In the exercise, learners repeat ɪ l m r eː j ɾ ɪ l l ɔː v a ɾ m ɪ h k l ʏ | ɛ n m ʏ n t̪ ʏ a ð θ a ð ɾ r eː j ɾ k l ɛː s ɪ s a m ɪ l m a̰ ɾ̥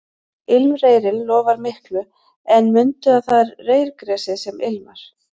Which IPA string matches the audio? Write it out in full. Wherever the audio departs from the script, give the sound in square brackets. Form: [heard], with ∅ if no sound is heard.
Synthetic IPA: ɪ l m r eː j ɾ ɪ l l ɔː v a ɾ m ɪ h k l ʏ | ɛ n m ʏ n t̪ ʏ a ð θ a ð ɾ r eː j ɾ k [ɾ] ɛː s ɪ s [ɛ] m ɪ l m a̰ ɾ̥